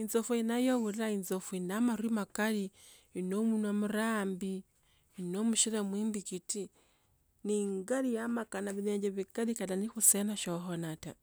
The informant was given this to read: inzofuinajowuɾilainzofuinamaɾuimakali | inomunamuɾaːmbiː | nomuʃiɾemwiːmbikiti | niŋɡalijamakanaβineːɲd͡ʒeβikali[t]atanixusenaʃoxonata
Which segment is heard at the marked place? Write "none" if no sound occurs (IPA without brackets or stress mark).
k